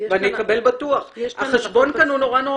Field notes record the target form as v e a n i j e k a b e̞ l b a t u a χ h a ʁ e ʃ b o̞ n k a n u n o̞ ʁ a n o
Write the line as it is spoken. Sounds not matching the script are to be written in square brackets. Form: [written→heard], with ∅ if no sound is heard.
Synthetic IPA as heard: v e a n i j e k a b e̞ l b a t u a χ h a [ʁ→χ] e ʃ b o̞ n k a n u n o̞ ʁ a n o

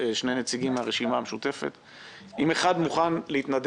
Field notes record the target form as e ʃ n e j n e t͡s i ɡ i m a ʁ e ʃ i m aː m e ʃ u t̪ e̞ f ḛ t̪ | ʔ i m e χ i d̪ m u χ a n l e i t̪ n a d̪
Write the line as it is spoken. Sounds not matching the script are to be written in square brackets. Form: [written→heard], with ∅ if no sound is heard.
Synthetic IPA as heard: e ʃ n e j n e t͡s i ɡ i m a ʁ e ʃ i m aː m e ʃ u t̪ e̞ f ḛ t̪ | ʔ i m e χ [i→a] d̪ m u χ a n l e i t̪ n a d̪

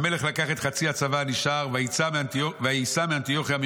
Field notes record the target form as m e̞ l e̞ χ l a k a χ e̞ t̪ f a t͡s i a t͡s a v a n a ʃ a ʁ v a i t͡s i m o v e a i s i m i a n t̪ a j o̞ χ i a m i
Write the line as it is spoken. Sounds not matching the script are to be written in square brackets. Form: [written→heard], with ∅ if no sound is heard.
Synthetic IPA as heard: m e̞ l e̞ χ l a k a χ e̞ t̪ [f→χ] a t͡s i a t͡s a v a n [a→i] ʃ a ʁ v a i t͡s [i→a] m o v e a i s [i→a] m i a n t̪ [a→i] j o̞ χ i a m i

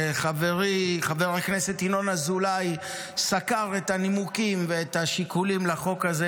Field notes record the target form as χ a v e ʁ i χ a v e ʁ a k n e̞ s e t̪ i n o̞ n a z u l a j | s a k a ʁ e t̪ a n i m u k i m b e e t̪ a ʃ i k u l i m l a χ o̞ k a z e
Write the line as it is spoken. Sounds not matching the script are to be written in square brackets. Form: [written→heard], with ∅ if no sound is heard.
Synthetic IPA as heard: χ a v e ʁ i χ a v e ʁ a k n e̞ s e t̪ i n o̞ n a z u l a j | s a k a ʁ e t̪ a n i m u k i m [b→v] e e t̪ a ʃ i k u l i m l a χ o̞ k a z e

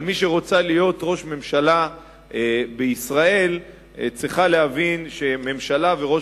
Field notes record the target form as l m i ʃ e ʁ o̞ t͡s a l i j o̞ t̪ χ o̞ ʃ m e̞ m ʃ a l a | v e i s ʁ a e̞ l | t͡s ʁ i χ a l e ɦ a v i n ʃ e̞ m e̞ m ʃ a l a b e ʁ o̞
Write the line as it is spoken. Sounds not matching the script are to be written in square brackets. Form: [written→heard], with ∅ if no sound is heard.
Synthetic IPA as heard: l m i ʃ e ʁ o̞ t͡s a l i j o̞ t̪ [χ→ʁ] o̞ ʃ m e̞ m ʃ a l a | [v→b] e i s ʁ a e̞ l | t͡s ʁ i χ a l e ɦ a v i n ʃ e̞ m e̞ m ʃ a l a [b→v] e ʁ o̞

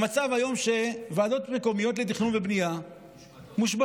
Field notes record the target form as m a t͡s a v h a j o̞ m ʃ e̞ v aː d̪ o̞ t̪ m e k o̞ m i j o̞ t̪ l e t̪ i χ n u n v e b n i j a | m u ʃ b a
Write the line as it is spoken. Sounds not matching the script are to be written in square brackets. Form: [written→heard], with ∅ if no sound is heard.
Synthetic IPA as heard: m a t͡s a v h a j o̞ m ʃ e̞ v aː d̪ o̞ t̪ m e k o̞ m i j o̞ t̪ l e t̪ i χ n u n v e b n i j a | m u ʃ b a

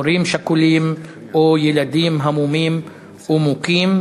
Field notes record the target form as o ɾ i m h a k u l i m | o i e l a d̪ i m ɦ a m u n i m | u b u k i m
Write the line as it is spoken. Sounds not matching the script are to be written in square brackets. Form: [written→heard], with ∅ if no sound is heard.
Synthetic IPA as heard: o ɾ i m [h→ʃ] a k u l i m | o [i→j] e l a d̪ i m ɦ a m u [n→m] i m | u [b→m] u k i m

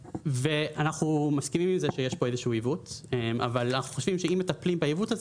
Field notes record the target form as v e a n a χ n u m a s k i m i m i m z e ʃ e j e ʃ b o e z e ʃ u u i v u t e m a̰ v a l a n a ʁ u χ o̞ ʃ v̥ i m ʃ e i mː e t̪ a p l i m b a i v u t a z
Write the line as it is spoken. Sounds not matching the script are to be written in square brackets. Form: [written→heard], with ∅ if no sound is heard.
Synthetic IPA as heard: v e a n a χ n u m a s k i m i m i m z e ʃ e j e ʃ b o e z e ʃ u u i v u t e m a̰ v a l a n a [ʁ→χ] u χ o̞ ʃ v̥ i m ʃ e i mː e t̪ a p l i m b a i v u t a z

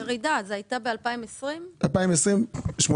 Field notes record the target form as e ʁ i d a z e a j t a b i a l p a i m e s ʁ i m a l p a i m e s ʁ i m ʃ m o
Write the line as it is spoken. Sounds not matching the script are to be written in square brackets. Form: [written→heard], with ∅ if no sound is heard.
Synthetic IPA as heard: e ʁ i d a z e a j t a b [i→e] a l p a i m e s ʁ i m a l p a i m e s ʁ i m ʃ m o

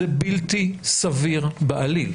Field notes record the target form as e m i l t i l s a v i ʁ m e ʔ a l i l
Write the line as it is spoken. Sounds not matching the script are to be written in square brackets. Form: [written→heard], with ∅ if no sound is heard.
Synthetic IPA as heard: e [m→b] i l t i [l→∅] s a v i ʁ [m→b] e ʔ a l i l

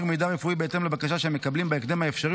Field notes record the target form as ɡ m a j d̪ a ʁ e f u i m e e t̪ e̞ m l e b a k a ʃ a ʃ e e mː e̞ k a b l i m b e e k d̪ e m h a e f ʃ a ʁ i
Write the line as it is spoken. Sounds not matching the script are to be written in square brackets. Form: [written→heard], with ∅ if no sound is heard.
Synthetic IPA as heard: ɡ m [a→e] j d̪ a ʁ e f u i [m→b] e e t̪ e̞ m l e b a k a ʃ a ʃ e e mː e̞ k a b l i m b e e k d̪ e m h a e f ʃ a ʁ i

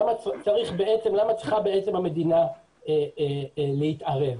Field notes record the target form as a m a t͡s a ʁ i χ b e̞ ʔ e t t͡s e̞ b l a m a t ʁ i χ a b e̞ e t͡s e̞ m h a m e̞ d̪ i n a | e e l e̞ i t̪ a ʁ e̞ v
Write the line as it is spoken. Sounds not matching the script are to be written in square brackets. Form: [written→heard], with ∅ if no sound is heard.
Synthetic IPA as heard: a m a t͡s a ʁ i χ b e̞ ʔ e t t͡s e̞ [b→m] l a m a [t→t͡s] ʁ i χ a b e̞ e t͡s e̞ m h a m e̞ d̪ i n a | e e l e̞ i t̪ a ʁ e̞ v

